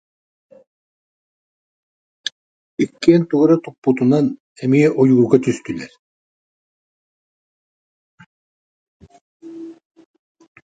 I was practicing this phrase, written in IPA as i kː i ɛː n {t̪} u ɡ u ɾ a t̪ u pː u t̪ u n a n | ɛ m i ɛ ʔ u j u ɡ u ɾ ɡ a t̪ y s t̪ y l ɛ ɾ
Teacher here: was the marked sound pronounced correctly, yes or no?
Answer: yes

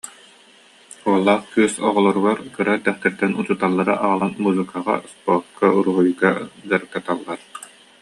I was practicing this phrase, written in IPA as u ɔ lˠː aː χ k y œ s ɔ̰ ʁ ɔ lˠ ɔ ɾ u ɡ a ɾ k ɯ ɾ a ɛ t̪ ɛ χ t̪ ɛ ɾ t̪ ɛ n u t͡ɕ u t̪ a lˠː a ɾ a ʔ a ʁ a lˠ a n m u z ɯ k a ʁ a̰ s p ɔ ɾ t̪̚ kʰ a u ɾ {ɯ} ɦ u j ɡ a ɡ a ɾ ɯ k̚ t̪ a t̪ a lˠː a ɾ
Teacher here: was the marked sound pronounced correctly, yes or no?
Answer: no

